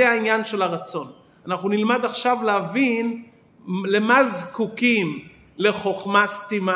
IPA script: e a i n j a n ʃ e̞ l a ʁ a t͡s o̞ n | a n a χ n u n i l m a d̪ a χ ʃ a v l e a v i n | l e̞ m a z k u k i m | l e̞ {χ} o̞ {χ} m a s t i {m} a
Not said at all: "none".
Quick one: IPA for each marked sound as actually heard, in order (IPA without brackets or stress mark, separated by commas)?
χ, χ, m